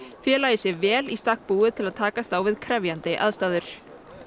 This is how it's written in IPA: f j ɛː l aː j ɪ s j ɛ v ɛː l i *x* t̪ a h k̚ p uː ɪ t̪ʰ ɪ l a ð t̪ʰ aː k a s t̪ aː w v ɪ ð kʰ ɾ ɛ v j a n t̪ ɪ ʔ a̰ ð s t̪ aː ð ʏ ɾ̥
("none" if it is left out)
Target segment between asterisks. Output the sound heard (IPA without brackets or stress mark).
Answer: s